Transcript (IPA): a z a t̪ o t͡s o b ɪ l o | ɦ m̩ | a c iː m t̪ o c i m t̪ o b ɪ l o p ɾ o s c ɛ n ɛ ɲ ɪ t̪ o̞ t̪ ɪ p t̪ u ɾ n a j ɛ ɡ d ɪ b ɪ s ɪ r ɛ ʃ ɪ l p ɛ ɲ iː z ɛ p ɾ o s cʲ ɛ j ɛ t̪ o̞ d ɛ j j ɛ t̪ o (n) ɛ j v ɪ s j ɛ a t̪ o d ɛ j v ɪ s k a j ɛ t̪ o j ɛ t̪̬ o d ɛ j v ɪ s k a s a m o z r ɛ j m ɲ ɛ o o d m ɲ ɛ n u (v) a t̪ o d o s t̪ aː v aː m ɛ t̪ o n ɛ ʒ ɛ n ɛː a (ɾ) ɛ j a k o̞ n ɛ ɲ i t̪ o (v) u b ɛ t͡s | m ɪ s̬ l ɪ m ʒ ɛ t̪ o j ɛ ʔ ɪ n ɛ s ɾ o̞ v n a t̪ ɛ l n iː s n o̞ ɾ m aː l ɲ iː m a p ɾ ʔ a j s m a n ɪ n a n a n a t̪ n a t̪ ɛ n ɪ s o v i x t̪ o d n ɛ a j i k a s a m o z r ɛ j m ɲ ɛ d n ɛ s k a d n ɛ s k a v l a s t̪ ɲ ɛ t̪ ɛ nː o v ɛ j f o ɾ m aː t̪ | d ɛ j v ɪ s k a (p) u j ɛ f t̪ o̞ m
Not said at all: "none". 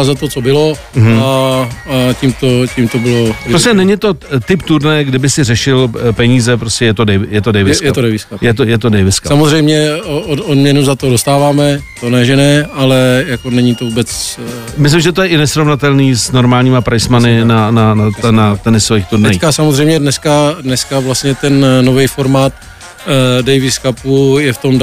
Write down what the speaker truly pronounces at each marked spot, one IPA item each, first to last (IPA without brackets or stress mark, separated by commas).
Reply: d, z, l, v, p